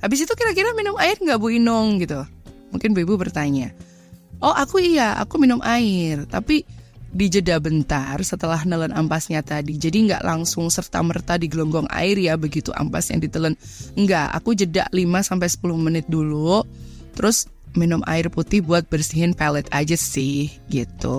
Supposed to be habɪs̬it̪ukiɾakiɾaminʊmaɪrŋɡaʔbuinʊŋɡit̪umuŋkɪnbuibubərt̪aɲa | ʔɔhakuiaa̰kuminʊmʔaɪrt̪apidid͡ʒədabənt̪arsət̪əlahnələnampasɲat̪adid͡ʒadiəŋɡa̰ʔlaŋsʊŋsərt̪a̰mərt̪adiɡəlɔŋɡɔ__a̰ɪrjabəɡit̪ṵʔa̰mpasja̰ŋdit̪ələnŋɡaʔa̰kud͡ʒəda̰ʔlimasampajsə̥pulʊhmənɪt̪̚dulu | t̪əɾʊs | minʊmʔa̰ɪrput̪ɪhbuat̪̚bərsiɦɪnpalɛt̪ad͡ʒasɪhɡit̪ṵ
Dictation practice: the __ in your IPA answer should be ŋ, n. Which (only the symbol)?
ŋ